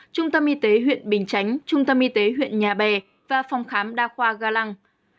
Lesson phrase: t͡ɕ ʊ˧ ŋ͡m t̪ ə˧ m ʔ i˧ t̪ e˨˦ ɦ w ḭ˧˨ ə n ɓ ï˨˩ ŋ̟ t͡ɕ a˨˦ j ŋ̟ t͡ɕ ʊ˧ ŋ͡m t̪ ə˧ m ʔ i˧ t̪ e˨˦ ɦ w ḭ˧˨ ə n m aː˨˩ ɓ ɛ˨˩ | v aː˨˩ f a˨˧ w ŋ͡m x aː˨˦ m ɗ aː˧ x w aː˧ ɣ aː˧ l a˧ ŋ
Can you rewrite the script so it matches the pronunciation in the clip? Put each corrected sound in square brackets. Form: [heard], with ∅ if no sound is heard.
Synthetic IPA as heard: t͡ɕ ʊ˧ ŋ͡m t̪ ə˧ m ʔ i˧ t̪ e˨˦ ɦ w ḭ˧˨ ə n ɓ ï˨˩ ŋ̟ t͡ɕ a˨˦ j ŋ̟ t͡ɕ ʊ˧ ŋ͡m t̪ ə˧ m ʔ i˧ t̪ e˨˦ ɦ w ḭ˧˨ ə n [ɲ] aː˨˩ ɓ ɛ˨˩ | v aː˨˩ f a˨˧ w ŋ͡m x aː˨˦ m ɗ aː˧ x w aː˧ ɣ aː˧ l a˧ ŋ